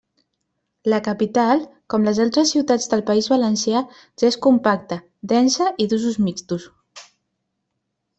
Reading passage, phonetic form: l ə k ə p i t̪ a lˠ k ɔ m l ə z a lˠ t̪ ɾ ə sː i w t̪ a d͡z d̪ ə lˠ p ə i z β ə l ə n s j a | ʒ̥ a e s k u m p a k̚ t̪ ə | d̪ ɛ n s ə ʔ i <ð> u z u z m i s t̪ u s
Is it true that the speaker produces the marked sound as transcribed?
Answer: yes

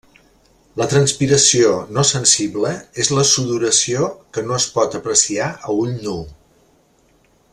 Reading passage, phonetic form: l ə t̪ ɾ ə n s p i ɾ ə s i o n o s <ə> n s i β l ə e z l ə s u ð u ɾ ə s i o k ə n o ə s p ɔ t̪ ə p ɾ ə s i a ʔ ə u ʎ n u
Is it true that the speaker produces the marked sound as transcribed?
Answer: yes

